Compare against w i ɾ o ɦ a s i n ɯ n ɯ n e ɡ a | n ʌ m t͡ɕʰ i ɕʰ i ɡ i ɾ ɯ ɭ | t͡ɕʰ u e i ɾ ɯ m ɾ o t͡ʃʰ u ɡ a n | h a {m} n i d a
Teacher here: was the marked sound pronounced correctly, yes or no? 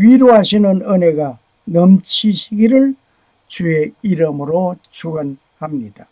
yes